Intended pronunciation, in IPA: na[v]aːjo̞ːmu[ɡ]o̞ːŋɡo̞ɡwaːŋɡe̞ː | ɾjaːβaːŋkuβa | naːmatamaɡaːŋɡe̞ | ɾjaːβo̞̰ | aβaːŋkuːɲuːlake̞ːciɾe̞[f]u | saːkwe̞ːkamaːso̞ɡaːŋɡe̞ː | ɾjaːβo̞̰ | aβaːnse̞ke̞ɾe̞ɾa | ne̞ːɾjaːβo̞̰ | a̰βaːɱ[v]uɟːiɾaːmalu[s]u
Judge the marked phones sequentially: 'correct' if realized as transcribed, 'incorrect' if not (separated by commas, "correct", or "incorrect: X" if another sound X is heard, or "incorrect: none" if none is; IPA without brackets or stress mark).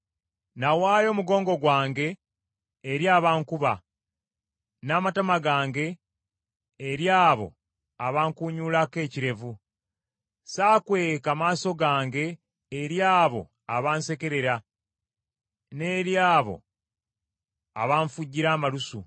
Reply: incorrect: w, correct, incorrect: v, incorrect: f, correct